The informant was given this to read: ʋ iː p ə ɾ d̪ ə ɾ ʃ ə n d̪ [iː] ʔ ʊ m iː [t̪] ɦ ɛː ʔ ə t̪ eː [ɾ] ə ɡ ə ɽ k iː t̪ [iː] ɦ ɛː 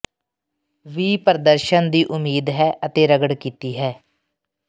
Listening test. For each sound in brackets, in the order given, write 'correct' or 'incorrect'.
correct, incorrect, correct, correct

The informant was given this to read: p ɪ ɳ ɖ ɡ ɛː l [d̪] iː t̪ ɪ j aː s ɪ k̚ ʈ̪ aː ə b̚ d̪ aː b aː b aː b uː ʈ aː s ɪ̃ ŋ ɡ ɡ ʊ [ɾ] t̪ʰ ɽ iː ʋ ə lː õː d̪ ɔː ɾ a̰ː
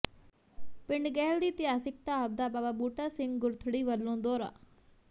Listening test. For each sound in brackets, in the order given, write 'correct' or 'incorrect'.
correct, correct

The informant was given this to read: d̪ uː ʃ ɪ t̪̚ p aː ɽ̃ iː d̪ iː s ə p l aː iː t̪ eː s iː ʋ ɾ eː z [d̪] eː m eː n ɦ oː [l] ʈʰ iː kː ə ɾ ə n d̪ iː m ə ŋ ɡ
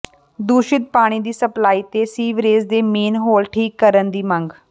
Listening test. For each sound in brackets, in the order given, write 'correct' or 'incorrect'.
correct, correct

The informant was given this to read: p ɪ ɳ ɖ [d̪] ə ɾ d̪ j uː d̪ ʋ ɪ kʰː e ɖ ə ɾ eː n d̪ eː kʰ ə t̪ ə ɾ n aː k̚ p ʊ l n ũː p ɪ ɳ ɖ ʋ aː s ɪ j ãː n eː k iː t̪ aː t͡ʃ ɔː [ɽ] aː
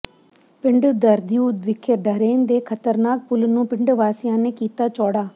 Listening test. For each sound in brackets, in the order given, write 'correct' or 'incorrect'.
correct, correct

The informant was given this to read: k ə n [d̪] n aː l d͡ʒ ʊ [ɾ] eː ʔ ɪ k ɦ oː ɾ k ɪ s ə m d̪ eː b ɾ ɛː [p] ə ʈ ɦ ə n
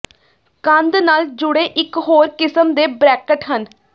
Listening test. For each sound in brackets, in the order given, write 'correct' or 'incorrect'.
correct, incorrect, incorrect

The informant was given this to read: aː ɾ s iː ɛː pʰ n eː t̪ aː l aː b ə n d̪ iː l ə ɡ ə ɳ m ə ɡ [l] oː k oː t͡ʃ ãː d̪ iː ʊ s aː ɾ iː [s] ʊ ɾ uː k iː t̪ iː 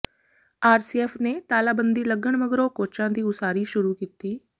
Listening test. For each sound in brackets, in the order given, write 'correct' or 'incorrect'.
incorrect, incorrect

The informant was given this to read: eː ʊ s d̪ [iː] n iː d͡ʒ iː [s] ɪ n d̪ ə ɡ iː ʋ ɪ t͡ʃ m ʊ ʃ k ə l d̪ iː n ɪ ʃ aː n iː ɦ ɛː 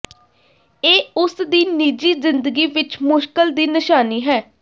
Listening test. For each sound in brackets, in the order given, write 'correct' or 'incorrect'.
correct, incorrect

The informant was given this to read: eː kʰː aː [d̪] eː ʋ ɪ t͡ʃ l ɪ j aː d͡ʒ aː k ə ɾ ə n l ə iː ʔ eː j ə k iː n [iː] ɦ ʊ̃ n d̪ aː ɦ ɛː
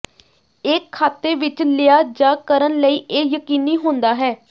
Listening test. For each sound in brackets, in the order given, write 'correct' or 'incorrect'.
incorrect, correct

